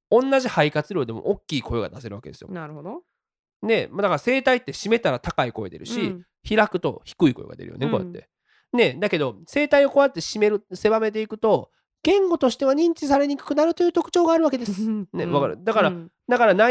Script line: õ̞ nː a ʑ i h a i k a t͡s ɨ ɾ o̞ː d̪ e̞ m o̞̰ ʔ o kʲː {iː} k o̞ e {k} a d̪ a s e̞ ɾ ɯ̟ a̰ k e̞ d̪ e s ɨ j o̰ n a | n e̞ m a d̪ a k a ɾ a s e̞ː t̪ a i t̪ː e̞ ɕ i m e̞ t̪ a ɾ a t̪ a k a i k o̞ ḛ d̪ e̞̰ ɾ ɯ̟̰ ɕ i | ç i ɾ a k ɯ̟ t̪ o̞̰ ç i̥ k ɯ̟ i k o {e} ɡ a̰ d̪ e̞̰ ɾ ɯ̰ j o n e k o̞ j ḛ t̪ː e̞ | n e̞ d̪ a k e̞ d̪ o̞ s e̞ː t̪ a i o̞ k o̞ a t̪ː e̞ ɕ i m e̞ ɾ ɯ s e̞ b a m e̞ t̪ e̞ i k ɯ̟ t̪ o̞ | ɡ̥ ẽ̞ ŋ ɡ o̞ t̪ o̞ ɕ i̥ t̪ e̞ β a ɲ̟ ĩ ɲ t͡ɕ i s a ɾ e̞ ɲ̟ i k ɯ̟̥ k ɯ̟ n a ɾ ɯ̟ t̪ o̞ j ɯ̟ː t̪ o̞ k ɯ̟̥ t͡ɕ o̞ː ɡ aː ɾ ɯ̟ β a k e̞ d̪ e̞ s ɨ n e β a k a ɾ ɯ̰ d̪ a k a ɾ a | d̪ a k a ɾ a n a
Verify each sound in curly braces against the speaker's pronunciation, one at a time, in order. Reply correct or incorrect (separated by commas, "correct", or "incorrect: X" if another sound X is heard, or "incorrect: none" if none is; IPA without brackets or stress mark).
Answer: correct, incorrect: ɡ, correct